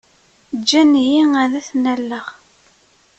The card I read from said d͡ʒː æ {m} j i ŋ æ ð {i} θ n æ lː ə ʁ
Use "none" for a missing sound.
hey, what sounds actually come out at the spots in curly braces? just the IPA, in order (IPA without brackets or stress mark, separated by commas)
n, æ